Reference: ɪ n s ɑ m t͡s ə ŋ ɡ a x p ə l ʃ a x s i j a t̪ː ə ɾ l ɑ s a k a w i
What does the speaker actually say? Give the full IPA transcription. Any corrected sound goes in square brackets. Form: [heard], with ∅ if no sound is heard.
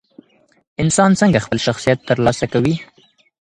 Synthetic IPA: ɪ n s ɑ [n] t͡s ə ŋ ɡ a x p ə l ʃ a x s i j a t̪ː ə ɾ l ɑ s a k a w i